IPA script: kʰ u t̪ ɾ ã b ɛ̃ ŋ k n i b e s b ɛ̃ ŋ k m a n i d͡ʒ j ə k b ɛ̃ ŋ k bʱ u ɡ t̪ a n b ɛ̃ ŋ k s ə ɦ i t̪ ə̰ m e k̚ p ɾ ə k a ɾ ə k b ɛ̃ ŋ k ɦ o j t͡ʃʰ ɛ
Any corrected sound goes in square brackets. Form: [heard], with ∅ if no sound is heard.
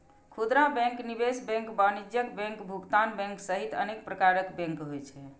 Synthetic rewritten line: kʰ u [d̪] ɾ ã b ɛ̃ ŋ k n i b e s b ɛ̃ ŋ k [b] a n i d͡ʒ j ə k b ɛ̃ ŋ k bʱ u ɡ t̪ a n b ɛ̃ ŋ k s ə ɦ i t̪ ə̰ [n] e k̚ p ɾ ə k a ɾ ə k b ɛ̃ ŋ k ɦ o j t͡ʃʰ ɛ